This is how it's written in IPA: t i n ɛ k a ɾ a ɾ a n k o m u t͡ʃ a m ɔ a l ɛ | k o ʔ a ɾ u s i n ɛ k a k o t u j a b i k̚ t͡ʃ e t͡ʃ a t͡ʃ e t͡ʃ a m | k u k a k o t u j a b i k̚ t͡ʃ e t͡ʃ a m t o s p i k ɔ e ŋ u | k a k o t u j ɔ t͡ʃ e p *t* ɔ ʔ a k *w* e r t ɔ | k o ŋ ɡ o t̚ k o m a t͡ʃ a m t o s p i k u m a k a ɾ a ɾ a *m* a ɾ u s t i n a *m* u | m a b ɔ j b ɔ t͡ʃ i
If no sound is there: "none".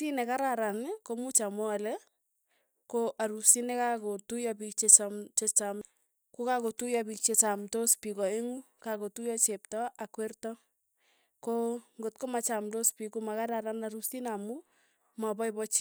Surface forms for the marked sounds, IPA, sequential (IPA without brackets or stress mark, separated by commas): t, w, n, m